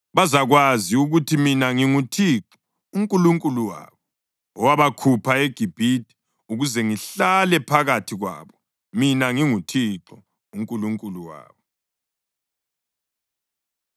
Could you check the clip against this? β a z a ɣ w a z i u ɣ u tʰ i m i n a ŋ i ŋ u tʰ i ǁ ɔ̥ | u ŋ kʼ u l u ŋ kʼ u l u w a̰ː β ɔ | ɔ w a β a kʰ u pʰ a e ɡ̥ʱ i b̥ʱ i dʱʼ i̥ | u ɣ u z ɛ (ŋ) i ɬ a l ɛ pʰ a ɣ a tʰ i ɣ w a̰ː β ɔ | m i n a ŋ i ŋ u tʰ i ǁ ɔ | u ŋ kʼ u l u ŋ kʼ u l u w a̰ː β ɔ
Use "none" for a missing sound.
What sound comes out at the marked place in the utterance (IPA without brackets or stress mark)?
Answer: ŋ